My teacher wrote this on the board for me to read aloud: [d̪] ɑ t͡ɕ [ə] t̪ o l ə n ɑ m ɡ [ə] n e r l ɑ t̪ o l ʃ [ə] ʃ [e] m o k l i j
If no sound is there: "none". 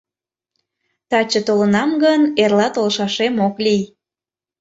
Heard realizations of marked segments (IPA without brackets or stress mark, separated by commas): t̪, ə, ə, ɑ, e